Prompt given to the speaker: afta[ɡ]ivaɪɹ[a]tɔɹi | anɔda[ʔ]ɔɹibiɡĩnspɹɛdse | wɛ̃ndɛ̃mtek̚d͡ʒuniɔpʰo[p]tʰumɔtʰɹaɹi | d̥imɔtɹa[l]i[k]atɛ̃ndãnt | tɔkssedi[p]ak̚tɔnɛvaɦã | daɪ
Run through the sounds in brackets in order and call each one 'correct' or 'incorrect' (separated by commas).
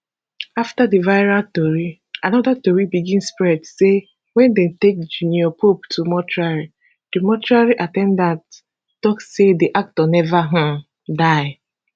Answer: incorrect, correct, incorrect, correct, incorrect, incorrect, incorrect